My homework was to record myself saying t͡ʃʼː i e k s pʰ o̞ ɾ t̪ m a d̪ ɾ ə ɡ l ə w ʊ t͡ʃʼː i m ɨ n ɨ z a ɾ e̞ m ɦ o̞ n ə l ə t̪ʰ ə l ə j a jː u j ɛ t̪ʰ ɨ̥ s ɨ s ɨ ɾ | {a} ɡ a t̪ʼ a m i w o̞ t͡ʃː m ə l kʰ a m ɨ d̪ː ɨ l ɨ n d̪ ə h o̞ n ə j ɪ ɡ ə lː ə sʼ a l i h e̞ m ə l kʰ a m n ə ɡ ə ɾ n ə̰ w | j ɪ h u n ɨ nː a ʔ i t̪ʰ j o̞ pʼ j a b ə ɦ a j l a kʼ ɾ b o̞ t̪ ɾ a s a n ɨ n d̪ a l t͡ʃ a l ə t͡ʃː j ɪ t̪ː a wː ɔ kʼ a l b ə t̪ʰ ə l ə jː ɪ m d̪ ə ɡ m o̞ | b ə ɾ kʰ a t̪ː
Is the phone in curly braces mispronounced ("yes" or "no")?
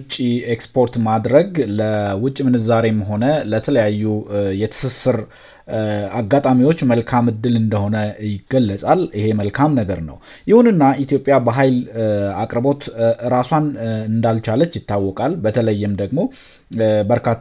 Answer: no